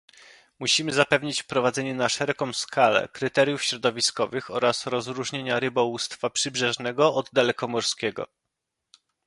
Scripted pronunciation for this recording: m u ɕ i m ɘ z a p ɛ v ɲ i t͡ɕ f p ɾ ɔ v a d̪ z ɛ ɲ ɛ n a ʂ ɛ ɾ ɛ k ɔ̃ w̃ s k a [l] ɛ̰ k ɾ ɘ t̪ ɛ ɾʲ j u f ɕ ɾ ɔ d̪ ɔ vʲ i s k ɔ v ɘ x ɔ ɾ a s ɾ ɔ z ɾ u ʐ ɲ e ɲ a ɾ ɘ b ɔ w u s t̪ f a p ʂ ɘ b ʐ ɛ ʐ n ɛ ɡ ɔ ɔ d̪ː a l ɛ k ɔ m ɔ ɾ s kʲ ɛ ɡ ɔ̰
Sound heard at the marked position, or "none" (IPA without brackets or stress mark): l